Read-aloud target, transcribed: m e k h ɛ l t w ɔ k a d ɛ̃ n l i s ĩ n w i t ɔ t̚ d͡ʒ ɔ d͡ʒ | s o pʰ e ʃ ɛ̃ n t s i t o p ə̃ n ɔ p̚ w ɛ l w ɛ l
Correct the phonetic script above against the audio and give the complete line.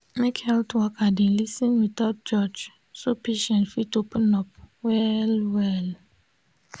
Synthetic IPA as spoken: m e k h ɛ l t w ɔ k a d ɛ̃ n l i s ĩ n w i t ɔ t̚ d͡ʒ ɔ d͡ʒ | s o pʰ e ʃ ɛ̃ n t f i t o p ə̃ n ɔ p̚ w ɛ l w ɛ l